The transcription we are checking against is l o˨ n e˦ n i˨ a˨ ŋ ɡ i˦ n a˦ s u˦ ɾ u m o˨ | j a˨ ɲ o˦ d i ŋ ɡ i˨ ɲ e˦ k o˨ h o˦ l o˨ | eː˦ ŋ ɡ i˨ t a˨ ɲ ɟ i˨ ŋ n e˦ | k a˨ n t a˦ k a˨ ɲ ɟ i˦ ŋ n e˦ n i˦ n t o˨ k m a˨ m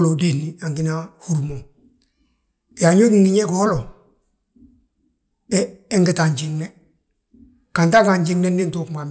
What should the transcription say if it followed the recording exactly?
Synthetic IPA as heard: l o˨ d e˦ n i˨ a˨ ŋ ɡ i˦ n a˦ h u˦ ɾ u m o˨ | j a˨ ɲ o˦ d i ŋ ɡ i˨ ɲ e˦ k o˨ h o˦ l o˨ | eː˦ ŋ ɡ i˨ t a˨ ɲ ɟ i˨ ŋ n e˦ | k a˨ n t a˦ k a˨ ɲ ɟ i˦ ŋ n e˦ n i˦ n t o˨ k m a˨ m